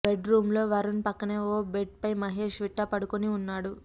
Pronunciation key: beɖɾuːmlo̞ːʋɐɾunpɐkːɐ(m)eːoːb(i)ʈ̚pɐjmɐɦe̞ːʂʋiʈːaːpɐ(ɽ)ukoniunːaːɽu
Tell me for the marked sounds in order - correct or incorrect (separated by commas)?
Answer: incorrect, incorrect, correct